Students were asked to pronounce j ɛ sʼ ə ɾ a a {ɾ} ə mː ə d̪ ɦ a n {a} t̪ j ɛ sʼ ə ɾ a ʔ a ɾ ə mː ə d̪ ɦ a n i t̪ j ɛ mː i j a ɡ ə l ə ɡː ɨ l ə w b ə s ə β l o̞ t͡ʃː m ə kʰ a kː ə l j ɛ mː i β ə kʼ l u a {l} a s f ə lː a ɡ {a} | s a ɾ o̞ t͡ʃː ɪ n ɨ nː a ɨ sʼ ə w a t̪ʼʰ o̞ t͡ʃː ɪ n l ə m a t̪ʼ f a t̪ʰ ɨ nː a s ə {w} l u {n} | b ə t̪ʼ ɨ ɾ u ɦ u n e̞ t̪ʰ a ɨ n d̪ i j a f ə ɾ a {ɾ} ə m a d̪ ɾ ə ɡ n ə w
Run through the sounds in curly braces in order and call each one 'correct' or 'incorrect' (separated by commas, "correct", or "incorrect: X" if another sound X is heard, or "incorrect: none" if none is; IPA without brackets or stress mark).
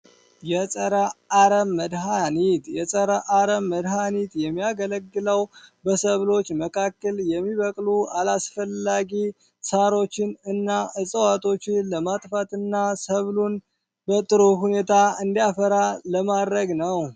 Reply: correct, incorrect: i, correct, incorrect: i, incorrect: β, correct, incorrect: l